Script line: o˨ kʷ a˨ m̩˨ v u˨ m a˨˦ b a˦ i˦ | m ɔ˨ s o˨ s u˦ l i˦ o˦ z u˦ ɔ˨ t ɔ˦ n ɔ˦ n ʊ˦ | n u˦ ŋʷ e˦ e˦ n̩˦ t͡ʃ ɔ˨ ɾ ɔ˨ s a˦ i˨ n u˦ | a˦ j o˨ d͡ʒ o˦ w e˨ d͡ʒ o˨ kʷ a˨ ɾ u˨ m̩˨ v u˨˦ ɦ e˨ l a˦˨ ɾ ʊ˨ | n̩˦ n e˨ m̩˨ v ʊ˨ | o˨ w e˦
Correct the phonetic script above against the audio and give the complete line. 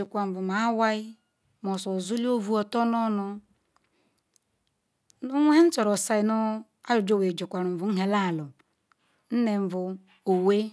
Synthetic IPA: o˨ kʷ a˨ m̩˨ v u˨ m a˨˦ w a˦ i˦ | m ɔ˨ s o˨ z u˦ l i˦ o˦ v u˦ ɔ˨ t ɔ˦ n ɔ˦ n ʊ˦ | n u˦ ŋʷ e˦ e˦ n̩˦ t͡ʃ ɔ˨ ɾ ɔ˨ s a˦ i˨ n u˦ | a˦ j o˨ d͡ʒ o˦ w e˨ d͡ʒ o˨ kʷ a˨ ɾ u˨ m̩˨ v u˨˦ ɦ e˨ l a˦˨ l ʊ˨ | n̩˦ n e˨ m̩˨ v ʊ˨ | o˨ w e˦

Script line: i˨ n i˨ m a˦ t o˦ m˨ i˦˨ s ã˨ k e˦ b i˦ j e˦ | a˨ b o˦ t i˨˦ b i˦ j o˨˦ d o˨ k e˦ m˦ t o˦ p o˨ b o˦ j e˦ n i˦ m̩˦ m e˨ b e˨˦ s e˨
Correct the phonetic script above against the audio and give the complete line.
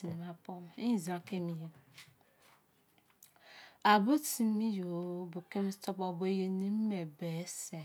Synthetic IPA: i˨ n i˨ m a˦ p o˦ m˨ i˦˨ z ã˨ k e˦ m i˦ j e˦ | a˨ b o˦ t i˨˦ m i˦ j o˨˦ b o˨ k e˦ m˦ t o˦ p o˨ b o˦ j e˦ n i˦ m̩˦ m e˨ b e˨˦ s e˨

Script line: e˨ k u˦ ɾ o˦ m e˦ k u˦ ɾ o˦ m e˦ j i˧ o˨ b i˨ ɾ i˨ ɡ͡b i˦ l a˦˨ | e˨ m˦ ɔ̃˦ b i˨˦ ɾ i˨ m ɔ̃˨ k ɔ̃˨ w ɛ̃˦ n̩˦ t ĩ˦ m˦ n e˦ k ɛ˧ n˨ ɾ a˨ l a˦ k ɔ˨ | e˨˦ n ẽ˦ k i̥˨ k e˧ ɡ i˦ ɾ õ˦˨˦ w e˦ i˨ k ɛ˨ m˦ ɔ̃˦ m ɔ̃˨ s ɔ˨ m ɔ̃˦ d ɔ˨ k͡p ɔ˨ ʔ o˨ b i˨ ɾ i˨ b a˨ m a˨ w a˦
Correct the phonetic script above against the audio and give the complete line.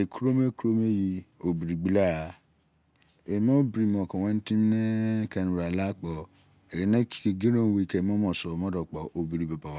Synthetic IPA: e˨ k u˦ ɾ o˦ m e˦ k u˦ ɾ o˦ m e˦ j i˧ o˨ b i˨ ɾ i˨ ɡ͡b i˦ l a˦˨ | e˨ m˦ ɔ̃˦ b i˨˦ ɾ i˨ m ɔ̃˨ k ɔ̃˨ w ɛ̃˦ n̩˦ t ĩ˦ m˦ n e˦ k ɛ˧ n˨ ɾ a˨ l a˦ k͡p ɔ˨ | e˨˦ n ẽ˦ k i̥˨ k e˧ ɡ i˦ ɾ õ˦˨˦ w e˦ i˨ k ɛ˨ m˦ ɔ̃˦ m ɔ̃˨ s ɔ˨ m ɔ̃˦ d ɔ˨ k͡p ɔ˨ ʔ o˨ b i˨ ɾ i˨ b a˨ b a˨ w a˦

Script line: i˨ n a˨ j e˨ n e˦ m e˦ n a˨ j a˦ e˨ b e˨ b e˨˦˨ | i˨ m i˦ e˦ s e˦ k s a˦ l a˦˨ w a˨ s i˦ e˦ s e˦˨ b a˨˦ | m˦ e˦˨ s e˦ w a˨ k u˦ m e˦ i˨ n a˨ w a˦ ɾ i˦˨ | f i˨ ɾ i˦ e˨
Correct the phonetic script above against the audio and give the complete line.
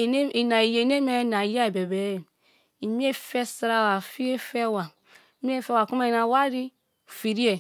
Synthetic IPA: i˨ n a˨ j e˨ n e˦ m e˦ n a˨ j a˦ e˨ b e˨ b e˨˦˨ | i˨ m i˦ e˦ f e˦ s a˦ ɾ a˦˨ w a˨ f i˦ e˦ f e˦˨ w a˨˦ | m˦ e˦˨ f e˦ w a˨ k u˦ m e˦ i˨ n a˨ w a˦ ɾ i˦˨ | f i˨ ɾ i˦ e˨

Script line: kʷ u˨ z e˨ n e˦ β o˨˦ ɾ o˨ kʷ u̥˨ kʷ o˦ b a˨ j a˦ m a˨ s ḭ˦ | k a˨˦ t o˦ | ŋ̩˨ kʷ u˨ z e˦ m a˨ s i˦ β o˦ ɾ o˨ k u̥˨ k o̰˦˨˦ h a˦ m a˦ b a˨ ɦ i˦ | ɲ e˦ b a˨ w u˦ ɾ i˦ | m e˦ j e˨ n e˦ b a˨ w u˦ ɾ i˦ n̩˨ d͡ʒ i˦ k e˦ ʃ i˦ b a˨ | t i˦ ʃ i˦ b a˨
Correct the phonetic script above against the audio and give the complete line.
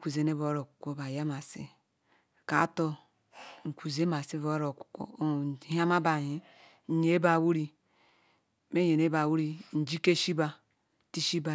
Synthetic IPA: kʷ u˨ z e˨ n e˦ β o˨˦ ɾ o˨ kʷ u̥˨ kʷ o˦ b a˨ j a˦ m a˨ s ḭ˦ | k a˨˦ t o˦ | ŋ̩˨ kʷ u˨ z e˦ m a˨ s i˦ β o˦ ɾ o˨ k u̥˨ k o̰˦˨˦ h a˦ m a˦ b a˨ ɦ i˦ | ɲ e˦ b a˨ w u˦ ɾ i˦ | m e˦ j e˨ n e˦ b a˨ w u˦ ɾ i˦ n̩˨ d͡ʒ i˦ k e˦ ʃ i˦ b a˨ | t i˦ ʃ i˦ b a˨

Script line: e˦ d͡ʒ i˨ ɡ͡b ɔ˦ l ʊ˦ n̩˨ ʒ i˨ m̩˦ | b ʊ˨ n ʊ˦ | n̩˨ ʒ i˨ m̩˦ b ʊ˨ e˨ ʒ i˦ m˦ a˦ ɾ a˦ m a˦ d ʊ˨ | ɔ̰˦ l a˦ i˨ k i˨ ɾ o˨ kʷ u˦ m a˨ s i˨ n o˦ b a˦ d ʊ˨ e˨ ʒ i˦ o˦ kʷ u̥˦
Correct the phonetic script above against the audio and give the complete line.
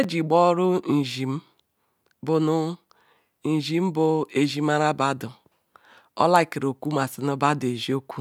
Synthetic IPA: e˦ d͡ʒ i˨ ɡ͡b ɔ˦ ɾ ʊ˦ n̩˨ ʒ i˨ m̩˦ | b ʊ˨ n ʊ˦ | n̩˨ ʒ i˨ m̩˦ b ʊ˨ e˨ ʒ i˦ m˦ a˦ ɾ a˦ b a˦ d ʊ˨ | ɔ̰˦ l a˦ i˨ k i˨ ɾ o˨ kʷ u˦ m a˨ s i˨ n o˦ b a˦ d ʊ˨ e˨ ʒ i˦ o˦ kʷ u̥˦

